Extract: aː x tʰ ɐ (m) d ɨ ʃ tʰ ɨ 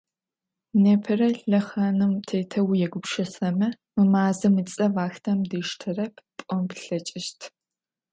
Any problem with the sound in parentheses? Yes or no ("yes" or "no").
no